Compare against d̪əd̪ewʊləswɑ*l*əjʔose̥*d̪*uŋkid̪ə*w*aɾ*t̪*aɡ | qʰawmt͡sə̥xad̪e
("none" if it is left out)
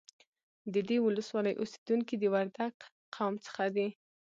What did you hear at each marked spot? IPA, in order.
l, d̪, w, d̪

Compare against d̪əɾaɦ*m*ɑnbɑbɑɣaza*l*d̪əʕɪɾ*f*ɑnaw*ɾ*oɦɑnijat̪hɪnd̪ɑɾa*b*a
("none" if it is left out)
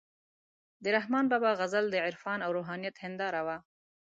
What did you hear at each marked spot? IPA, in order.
m, l, f, ɾ, w

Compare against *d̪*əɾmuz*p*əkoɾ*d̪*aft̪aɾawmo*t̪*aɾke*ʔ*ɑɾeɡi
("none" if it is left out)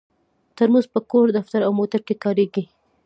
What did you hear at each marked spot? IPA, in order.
t̪, p, d̪, t̪, k

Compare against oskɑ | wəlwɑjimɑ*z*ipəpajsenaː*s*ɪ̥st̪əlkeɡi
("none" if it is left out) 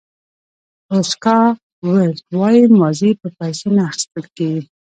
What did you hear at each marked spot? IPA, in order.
z, x

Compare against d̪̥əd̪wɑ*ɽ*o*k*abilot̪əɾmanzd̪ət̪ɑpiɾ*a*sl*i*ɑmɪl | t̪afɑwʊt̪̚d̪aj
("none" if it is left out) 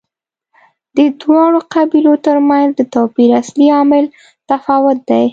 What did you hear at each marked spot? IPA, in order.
ɽ, q, a, i

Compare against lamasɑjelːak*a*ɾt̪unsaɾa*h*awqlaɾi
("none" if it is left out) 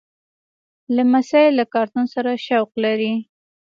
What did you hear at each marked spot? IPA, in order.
ɑ, ʃ

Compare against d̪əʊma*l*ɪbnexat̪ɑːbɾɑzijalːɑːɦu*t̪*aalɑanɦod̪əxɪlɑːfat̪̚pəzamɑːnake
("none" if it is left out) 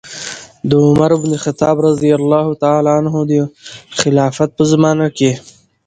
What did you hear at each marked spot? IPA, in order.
ɾ, t̪

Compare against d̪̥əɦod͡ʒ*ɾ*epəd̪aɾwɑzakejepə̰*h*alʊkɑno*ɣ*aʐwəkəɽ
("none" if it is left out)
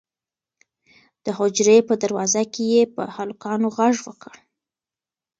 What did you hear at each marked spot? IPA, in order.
ɾ, h, ɣ

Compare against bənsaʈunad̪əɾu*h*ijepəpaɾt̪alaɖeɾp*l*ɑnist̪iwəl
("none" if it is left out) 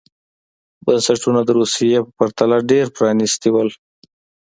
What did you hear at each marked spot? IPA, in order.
s, ɾ

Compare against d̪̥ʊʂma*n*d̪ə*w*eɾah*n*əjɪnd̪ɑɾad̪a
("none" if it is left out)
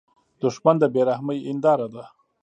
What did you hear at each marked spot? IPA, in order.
n, b, m

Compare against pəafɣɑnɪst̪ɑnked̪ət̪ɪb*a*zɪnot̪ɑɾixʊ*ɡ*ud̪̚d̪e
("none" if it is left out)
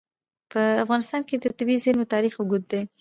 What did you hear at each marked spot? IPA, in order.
i, ɡ

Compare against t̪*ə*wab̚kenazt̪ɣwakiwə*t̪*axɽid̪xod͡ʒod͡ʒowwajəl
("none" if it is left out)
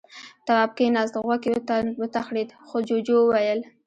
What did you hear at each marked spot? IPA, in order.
a, t̪

